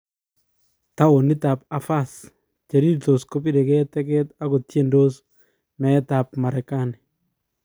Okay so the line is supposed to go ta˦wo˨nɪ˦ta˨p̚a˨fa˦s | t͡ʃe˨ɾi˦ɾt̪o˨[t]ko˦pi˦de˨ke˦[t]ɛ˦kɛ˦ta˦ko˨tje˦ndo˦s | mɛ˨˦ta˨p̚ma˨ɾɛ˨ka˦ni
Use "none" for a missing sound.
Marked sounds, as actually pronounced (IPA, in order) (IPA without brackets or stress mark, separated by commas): s, t